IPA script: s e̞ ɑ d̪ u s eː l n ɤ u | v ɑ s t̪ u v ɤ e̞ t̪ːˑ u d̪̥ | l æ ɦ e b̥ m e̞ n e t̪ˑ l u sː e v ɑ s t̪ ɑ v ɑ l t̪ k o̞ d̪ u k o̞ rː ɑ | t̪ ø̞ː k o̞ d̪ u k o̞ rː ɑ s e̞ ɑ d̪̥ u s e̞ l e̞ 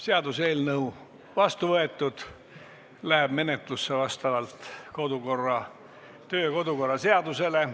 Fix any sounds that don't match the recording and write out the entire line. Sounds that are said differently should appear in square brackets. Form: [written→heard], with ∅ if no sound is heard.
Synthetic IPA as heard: s e̞ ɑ d̪ u s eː l n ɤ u | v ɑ s t̪ u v ɤ e̞ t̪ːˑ u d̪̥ | l æ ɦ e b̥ m e̞ n e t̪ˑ l u sː e v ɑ s t̪ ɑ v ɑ l t̪ k o̞ d̪ u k o̞ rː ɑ | t̪ ø̞ː k o̞ d̪ u k o̞ rː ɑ s e̞ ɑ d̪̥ u s e̞ l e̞